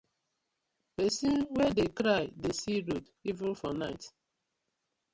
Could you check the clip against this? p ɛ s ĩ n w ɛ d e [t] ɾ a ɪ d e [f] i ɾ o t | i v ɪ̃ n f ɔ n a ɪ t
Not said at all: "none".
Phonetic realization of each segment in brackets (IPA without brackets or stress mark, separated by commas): k, s